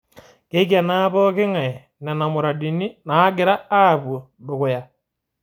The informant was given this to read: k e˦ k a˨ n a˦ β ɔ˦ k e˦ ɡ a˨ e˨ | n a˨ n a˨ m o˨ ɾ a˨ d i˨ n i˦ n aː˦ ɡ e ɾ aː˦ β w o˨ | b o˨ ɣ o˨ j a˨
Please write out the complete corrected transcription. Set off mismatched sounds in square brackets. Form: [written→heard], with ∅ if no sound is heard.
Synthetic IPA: k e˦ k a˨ n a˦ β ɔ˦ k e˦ [ɡ→ŋ] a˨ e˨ | n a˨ n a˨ m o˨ ɾ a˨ d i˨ n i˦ n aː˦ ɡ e ɾ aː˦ β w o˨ | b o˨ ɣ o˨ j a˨